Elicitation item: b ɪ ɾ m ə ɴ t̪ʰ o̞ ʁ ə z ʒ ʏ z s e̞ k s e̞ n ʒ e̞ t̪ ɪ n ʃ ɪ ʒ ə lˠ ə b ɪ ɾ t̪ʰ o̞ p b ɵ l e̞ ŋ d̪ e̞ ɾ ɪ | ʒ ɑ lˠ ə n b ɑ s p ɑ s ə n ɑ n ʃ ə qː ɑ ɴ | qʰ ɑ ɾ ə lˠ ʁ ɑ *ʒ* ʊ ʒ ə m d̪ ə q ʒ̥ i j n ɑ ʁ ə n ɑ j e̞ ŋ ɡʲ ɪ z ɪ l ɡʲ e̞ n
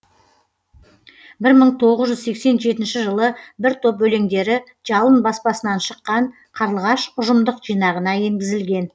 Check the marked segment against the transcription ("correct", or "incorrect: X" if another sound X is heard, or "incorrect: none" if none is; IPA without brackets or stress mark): incorrect: ʃ